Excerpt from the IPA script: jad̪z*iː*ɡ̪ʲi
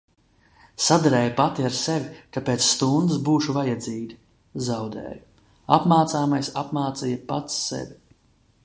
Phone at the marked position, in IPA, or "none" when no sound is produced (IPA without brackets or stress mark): iː